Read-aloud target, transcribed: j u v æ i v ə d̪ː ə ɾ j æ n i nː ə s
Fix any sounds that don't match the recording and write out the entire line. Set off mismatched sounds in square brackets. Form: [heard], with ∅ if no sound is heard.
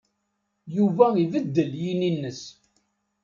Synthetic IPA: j u v æ i v ə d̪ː ə [l] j [i] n i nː ə s